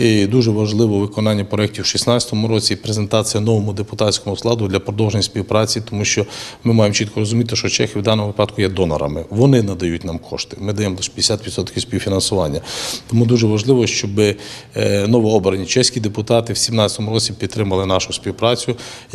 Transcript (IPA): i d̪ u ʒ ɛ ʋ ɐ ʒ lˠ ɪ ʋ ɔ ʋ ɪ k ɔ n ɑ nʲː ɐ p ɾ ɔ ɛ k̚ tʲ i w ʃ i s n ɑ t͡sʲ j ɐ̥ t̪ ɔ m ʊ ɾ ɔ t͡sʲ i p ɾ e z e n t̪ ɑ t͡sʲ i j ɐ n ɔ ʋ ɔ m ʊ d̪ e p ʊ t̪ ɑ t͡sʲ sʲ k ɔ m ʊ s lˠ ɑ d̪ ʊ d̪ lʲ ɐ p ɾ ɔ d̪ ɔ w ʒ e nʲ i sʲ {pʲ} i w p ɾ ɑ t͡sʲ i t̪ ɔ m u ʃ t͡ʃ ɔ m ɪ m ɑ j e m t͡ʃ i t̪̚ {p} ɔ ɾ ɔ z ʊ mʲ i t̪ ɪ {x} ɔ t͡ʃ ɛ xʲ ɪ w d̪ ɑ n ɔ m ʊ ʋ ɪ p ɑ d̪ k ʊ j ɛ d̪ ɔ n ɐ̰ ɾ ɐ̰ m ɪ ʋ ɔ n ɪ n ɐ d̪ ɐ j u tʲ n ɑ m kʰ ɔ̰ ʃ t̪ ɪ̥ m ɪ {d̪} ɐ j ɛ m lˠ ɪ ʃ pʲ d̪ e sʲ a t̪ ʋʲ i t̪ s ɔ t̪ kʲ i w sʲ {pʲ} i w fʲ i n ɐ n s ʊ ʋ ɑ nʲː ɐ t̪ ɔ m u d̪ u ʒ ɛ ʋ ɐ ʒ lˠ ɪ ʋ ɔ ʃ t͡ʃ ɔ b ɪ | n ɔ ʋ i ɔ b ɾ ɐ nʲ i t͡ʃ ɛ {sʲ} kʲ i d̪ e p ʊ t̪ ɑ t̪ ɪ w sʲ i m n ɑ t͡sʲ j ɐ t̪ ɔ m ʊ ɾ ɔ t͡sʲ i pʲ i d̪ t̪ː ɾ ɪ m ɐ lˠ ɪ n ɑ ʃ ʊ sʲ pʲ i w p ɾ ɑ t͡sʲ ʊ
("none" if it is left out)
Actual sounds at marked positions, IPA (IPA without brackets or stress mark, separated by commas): pʲ, k, ʃ, d̪, pʲ, sʲ